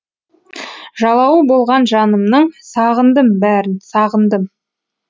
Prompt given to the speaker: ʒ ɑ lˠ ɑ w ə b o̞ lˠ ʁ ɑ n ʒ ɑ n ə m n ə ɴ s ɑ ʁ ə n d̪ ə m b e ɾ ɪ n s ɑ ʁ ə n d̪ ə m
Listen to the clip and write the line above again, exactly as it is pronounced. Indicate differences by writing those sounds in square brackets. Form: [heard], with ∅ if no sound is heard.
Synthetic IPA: ʒ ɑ lˠ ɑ w ə b o̞ lˠ ʁ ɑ n ʒ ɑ n ə m n ə ɴ s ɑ ʁ ə n d̪ ə m b [æ] ɾ ɪ n s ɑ ʁ ə n d̪ ə m